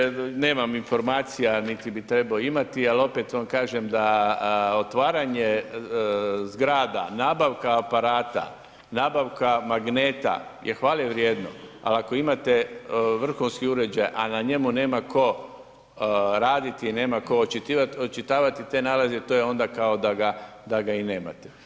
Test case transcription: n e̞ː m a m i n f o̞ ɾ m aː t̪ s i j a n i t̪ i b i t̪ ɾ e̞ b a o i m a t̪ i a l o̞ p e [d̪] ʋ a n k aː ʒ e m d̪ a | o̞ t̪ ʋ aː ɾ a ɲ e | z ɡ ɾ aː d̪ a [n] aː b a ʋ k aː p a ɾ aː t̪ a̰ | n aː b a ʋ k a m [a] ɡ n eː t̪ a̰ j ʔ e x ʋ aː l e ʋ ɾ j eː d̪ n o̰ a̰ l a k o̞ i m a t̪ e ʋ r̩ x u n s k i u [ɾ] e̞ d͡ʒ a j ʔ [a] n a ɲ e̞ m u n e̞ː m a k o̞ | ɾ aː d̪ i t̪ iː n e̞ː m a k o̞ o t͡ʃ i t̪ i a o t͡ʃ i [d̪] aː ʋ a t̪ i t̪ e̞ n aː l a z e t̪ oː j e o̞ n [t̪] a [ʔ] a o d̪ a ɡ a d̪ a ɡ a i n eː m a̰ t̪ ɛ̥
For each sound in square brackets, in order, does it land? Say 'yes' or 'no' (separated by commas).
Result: no, yes, yes, yes, yes, no, no, no